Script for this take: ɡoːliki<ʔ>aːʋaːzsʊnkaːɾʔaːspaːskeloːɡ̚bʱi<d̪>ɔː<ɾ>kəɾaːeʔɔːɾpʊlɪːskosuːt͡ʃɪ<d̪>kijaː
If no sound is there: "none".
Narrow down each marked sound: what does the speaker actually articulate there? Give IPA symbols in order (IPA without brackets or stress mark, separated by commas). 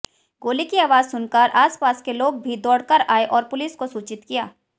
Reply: none, d̪, ɽ, t̪